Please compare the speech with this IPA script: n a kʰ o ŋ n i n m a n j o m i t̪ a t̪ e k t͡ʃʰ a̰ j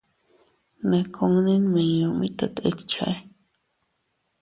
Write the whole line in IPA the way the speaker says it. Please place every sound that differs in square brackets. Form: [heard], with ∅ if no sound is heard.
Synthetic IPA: n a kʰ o ŋ n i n m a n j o m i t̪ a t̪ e k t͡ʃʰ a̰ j